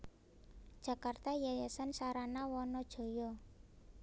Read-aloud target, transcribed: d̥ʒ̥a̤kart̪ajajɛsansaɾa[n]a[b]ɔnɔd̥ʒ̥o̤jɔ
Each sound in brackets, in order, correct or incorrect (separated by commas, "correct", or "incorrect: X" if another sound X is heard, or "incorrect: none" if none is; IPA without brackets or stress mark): correct, incorrect: w